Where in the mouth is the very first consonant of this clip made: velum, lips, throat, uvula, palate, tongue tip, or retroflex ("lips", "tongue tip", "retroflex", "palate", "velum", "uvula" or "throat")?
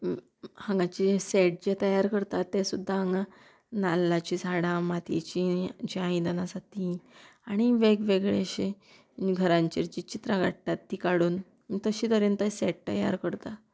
throat